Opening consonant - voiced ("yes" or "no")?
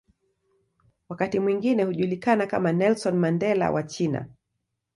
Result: yes